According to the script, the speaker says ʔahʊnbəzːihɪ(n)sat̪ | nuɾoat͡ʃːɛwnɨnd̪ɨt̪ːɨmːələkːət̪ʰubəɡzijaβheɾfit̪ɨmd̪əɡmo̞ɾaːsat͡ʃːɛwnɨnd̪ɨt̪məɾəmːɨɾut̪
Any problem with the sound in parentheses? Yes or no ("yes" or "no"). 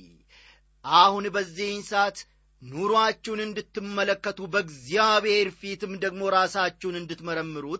no